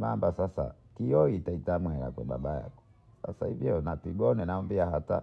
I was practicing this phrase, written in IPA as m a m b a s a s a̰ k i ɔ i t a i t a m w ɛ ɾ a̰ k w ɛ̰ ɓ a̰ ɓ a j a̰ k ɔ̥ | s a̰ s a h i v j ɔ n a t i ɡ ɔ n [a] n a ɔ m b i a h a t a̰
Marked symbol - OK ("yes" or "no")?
no